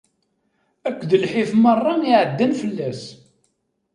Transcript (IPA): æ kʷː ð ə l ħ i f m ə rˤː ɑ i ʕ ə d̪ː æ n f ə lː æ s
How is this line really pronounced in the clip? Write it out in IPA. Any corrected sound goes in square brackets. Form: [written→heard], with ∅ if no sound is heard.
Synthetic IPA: æ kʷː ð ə l ħ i f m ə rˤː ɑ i ʕ ə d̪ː æ n f ə lː æ s